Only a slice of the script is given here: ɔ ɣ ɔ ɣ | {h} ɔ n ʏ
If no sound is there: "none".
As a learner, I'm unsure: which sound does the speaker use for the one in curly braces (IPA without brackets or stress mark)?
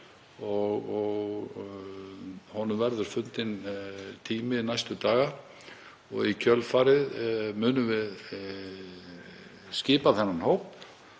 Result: h